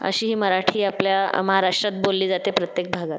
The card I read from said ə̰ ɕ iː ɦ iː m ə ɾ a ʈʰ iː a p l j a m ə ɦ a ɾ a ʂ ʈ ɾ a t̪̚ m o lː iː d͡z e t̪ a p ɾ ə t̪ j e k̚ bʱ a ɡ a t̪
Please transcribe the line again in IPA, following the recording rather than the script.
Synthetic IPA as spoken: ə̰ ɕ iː ɦ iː m ə ɾ a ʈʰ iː a p l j a m ə ɦ a ɾ a ʂ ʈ ɾ a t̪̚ b o lː iː d͡z a t̪ e p ɾ ə t̪ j e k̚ bʱ a ɡ a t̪